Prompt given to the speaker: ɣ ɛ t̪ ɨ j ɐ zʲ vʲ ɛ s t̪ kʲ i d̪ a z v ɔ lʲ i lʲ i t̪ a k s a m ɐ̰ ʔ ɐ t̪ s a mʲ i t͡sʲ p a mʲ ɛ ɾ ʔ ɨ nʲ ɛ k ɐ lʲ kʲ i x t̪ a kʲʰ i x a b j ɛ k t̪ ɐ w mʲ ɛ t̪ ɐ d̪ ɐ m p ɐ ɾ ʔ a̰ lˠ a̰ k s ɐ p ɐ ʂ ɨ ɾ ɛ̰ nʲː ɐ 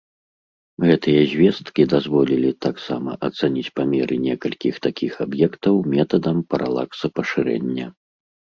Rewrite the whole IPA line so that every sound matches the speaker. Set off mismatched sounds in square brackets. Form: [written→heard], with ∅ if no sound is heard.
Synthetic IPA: ɣ ɛ t̪ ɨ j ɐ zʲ vʲ ɛ s t̪ kʲ i d̪ a z v ɔ lʲ i lʲ i t̪ a k s a m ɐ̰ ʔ ɐ t̪ s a [mʲ→nʲ] i t͡sʲ p a mʲ ɛ ɾ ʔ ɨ nʲ ɛ k ɐ lʲ kʲ i x t̪ a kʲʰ i x a b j ɛ k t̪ ɐ w mʲ ɛ t̪ ɐ d̪ ɐ m p ɐ ɾ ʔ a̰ lˠ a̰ k s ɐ p ɐ ʂ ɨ ɾ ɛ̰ nʲː ɐ